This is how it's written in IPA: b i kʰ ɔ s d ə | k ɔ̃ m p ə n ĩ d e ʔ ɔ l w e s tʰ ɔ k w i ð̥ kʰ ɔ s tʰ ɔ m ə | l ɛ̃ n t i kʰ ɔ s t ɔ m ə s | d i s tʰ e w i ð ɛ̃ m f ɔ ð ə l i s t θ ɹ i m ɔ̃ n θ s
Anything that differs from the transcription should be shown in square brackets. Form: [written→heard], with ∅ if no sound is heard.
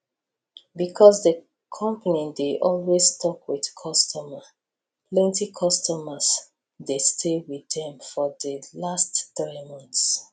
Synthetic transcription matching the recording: b i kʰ ɔ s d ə | [k→kʰ] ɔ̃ m p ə n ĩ d e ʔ ɔ l w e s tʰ ɔ k w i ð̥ kʰ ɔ s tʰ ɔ m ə | l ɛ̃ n t i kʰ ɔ s t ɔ m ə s | d [i→e] s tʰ e w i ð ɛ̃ m f ɔ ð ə l [i→a] s t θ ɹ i m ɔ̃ n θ s